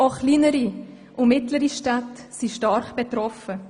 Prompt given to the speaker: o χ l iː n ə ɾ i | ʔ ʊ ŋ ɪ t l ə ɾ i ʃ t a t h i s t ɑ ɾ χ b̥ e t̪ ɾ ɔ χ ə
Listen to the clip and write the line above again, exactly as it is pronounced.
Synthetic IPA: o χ l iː n ə ɾ i | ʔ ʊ m ɪ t l ə ɾ i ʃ t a t s i ʃ t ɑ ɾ χ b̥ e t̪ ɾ ɔ f ə